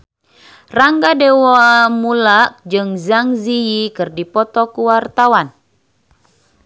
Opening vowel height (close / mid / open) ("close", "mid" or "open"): open